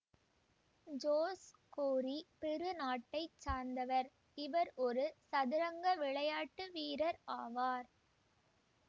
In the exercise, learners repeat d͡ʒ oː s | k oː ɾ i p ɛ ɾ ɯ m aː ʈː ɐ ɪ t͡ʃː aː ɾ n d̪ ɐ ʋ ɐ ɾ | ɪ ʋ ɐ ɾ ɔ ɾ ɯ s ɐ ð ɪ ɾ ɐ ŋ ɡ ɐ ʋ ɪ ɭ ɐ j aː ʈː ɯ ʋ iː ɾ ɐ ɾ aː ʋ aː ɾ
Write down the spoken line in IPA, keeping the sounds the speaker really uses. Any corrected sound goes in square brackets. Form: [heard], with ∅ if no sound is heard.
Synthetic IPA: d͡ʒ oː s | k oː ɾ i p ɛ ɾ ɯ [n] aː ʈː ɐ ɪ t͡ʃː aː ɾ n d̪ ɐ ʋ ɐ ɾ | ɪ ʋ ɐ ɾ ɔ ɾ ɯ s ɐ ð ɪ ɾ ɐ ŋ ɡ ɐ ʋ ɪ ɭ ɐ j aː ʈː ɯ ʋ iː ɾ ɐ ɾ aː ʋ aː ɾ